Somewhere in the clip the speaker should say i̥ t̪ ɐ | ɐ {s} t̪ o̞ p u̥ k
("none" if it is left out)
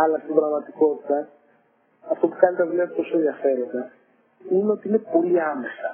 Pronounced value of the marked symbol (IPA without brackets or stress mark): f